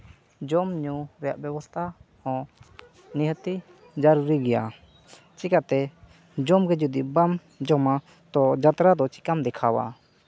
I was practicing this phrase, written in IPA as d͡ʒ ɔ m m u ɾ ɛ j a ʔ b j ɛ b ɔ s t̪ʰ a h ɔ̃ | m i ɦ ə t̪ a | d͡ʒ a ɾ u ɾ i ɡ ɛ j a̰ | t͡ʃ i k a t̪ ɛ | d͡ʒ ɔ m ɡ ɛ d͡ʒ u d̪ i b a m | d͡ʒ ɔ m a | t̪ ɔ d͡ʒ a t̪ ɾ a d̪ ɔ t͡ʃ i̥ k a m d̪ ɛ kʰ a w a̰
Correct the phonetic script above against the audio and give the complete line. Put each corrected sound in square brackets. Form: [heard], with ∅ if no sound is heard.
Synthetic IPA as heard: d͡ʒ ɔ m [ɲ] u ɾ ɛ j a ʔ b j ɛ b ɔ s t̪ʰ a h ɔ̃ | [n] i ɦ ə t̪ [i] | d͡ʒ a ɾ u ɾ i ɡ ɛ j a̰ | t͡ʃ i k a t̪ ɛ | d͡ʒ ɔ m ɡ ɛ d͡ʒ u d̪ i b a m | d͡ʒ ɔ m a | t̪ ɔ d͡ʒ a t̪ ɾ a d̪ ɔ t͡ʃ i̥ k a m d̪ ɛ kʰ a w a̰

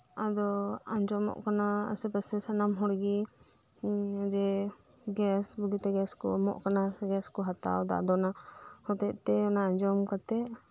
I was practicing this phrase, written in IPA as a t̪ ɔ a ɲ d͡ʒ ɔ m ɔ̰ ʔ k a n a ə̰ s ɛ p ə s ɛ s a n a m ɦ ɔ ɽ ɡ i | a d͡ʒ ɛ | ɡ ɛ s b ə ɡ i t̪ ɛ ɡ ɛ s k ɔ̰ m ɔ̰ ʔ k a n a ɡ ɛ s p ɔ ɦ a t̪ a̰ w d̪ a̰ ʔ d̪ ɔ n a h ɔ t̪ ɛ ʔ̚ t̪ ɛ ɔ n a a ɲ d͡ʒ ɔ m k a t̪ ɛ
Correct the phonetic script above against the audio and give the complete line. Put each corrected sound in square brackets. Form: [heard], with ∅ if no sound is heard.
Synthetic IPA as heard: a [d̪] ɔ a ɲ d͡ʒ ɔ m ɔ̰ ʔ k a n a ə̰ s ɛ p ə s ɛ s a n a m ɦ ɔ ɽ ɡ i | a d͡ʒ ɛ | ɡ ɛ s b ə ɡ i t̪ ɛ ɡ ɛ s k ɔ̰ m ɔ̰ ʔ k a n a ɡ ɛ s [k] ɔ ɦ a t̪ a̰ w d̪ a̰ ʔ d̪ ɔ n a h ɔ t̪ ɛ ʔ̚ t̪ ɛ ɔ n a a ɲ d͡ʒ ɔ m k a t̪ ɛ

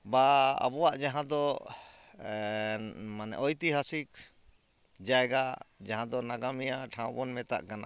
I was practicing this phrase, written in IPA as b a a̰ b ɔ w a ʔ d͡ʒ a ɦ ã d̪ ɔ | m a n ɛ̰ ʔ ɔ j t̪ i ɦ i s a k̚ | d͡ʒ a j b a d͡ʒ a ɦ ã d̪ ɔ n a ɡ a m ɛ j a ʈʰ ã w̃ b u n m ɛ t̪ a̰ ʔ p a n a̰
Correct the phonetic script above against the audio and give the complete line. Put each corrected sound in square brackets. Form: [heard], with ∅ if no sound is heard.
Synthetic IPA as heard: b a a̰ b ɔ w a ʔ d͡ʒ a ɦ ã d̪ ɔ | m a n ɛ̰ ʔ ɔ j t̪ i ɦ [a] s [i] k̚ | d͡ʒ a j [ɡ] a d͡ʒ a ɦ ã d̪ ɔ n a ɡ a m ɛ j a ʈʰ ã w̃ b [ɔ] n m ɛ t̪ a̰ ʔ [k] a n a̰

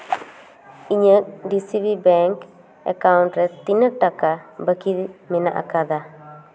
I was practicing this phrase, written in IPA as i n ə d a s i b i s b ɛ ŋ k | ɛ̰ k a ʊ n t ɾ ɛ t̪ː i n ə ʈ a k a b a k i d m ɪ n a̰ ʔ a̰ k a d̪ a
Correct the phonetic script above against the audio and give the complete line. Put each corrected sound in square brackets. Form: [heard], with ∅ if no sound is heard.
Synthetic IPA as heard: i [ɲ] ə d [i] s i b i [∅] b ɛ ŋ k | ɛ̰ k a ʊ n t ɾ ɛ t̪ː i n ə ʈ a k a b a k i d m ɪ n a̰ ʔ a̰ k a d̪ a

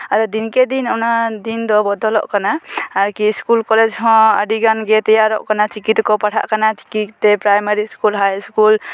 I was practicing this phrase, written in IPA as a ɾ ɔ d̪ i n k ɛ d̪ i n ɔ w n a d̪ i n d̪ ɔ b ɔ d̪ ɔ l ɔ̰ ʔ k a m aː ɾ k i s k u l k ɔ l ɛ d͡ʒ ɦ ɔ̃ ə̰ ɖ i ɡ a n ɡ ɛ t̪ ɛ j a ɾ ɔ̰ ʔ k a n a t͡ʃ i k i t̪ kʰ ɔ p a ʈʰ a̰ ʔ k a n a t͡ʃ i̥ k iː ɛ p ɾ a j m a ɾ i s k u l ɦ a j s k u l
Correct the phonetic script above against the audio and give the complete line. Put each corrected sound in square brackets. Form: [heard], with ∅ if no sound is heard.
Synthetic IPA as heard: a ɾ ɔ d̪ i n k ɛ d̪ i n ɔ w n a d̪ i n d̪ ɔ b ɔ d̪ ɔ l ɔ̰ ʔ k a [n] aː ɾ k i s k u l k ɔ l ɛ d͡ʒ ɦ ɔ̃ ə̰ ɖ i ɡ a n ɡ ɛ t̪ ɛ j a ɾ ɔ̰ ʔ k a n a t͡ʃ i k i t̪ [k] ɔ p a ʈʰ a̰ ʔ k a n a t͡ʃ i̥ k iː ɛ p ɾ a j m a ɾ i s k u l ɦ a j s k u l

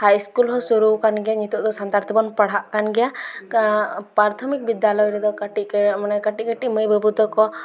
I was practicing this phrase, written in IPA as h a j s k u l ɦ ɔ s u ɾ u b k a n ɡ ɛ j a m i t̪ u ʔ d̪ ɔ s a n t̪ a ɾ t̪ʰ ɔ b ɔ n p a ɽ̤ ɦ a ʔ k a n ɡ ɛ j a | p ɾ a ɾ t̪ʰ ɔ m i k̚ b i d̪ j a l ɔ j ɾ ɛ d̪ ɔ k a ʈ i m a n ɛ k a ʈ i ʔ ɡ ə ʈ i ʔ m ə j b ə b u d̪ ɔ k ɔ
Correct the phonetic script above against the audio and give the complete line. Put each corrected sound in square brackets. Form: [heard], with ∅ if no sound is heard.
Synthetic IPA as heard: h a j s k u l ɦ ɔ s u ɾ u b k a n ɡ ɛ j a [ɲ] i t̪ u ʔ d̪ ɔ s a n t̪ a ɾ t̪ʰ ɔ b ɔ n p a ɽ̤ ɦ a ʔ k a n ɡ ɛ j a | p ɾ a ɾ t̪ʰ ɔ m i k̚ b i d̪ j a l ɔ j ɾ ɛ d̪ ɔ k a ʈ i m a n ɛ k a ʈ i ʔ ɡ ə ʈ i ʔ m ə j b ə b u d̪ ɔ k ɔ

